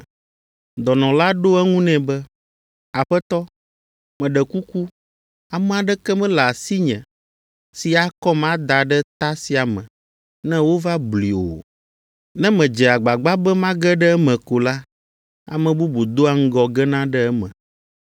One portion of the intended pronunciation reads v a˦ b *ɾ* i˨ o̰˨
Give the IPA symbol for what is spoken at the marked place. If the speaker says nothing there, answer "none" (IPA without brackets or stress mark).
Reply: l